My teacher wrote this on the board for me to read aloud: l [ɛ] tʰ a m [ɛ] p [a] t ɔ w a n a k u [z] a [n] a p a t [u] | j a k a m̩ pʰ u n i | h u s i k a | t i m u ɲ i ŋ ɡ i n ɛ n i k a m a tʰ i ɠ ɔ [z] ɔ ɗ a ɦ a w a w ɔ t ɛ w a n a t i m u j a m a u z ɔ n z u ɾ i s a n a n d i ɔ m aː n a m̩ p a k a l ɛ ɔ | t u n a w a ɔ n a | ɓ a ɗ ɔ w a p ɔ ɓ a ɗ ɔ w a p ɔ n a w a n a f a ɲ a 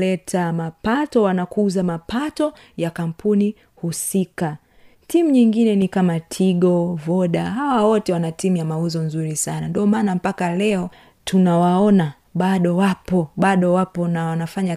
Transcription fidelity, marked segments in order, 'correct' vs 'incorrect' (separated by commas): correct, incorrect, correct, correct, incorrect, incorrect, incorrect